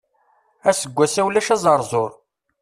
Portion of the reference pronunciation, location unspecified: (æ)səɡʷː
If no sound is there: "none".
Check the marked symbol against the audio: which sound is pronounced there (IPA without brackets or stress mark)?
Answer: æ